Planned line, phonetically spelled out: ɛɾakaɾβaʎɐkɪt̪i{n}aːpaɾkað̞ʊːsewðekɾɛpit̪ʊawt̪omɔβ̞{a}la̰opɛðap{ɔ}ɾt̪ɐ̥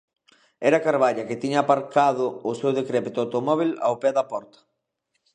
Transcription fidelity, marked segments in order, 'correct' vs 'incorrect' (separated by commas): incorrect, incorrect, correct